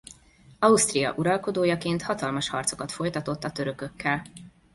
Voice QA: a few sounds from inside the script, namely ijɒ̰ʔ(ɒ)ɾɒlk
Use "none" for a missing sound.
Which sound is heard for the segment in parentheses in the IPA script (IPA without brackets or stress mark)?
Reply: u